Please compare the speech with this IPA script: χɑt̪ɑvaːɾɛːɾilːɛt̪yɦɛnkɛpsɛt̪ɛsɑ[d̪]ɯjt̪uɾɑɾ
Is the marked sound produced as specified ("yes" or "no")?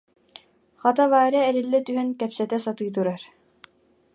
no